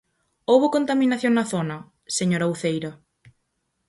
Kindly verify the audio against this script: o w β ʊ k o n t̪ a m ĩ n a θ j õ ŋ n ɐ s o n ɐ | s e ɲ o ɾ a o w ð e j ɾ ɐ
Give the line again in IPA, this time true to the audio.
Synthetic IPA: o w β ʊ k o n t̪ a m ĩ n a θ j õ ŋ n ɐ θ o n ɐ | s e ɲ o ɾ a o w θ e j ɾ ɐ